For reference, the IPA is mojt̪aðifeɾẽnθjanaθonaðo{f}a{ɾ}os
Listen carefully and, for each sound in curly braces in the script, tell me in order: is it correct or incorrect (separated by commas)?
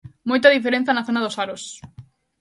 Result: incorrect, correct